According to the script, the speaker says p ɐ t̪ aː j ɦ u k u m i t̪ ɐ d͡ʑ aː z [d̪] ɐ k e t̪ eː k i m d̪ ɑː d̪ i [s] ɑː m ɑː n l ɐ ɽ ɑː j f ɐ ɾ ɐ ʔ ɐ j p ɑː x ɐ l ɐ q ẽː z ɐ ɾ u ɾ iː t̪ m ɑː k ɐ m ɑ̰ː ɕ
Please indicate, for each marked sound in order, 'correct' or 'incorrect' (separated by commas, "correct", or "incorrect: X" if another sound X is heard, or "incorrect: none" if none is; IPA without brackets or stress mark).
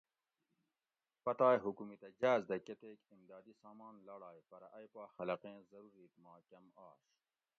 correct, correct